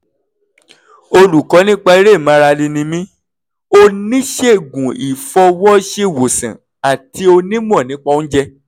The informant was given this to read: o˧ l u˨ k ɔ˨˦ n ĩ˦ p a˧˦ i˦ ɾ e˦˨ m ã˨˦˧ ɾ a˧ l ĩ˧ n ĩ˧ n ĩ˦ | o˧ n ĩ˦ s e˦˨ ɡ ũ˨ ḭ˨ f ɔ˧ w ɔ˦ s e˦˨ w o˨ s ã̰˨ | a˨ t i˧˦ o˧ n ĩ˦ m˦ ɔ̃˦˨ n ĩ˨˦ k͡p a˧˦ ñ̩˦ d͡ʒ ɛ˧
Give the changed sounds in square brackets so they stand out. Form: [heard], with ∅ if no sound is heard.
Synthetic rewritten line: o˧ l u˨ k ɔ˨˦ n ĩ˦ [k͡p] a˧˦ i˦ ɾ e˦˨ m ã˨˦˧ ɾ a˧ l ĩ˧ n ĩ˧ [m] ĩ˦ | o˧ n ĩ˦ [ʃ] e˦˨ ɡ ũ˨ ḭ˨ f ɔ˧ w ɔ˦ [ʃ] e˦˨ w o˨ s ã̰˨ | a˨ t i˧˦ o˧ n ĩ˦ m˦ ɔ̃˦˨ n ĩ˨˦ k͡p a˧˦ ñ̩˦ d͡ʒ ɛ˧